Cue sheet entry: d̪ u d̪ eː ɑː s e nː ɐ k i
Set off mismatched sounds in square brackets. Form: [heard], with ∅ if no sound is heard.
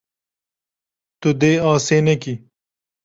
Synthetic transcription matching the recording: [t̪] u d̪ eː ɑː s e [n] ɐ k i